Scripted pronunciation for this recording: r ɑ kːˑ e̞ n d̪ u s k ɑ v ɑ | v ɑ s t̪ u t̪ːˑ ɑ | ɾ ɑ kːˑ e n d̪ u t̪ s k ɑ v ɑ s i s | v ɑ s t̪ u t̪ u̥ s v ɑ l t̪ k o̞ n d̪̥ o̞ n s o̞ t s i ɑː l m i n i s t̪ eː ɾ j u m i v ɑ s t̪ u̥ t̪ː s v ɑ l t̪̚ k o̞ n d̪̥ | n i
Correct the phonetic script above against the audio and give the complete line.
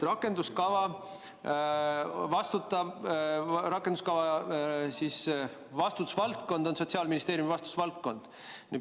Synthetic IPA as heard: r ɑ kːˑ e̞ n d̪ u s k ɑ v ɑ | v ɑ s t̪ u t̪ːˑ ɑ | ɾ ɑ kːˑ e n d̪ u s k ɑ v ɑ s i s | v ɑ s t̪ u t̪ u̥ s v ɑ l t̪ k o̞ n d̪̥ o̞ n s o̞ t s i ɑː l m i n i s t̪ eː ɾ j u m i v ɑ s t̪ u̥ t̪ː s v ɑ l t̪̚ k o̞ n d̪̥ | n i